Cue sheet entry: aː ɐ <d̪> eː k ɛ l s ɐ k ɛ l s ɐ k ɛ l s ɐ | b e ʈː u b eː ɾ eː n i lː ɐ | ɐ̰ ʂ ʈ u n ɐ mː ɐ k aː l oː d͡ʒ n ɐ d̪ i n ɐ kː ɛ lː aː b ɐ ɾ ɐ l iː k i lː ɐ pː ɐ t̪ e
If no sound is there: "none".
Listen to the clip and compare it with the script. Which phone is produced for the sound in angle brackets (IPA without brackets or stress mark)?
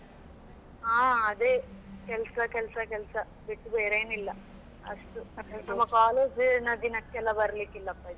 d̪